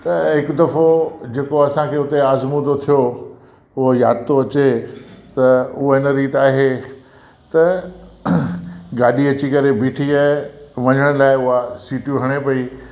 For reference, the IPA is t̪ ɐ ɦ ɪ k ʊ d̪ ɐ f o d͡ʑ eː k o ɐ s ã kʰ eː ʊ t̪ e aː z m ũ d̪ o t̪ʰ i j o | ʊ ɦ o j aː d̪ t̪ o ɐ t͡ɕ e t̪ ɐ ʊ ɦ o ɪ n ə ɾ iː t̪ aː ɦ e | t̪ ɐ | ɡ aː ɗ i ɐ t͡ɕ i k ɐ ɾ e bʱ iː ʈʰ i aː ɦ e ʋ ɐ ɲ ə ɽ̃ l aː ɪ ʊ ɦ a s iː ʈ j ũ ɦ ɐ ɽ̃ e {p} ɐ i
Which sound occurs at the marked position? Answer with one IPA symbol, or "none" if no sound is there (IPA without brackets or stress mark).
p